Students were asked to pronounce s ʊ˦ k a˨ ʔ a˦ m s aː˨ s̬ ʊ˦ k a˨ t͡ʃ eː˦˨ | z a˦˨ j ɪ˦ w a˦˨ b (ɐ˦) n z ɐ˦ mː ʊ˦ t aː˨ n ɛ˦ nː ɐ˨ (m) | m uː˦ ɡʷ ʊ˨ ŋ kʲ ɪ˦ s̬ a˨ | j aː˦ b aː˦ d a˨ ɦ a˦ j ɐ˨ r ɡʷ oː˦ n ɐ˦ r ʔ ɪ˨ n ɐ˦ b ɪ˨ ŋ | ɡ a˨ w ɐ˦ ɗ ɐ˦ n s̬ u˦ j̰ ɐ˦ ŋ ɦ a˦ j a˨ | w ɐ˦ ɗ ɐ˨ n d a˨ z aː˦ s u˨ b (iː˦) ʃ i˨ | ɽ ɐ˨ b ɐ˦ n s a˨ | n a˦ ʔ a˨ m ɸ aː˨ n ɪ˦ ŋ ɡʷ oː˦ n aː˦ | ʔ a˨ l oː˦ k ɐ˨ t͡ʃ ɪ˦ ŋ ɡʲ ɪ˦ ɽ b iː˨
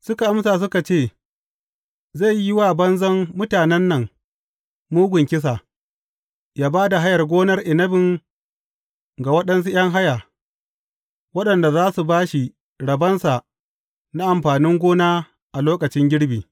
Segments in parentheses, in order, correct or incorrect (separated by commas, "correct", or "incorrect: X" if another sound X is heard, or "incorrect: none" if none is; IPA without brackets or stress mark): correct, incorrect: ŋ, incorrect: aː˦